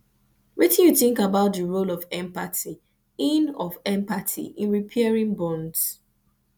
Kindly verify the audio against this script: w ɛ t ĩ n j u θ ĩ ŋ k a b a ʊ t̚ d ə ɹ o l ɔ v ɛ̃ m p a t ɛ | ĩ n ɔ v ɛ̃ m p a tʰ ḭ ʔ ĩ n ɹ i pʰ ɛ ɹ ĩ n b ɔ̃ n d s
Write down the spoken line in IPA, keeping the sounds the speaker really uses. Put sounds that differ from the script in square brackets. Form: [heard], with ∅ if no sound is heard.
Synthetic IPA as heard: w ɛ t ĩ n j u θ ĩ ŋ k a b a ʊ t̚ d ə ɹ o l ɔ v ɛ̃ m p a t [i] | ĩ n ɔ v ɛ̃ m p a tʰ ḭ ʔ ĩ n ɹ i pʰ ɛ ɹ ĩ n b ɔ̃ n d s